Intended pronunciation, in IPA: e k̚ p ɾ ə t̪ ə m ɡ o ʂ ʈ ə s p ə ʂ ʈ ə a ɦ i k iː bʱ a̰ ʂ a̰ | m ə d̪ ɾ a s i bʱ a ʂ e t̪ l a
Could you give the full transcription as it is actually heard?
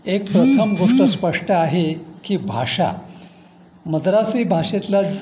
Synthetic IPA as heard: e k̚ p ɾ ə t̪ʰ ə m ɡ o ʂ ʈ ə s p ə ʂ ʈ ə a ɦ e k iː bʱ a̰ ʂ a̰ | m ə d̪ ɾ a s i bʱ a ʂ e t̪ l a